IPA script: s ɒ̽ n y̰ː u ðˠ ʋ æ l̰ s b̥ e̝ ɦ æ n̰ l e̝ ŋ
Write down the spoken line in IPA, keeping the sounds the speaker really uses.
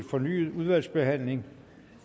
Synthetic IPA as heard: f ɒ̽ n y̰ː u ðˠ ʋ æ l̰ s b̥ e̝ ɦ æ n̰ l e̝ ŋ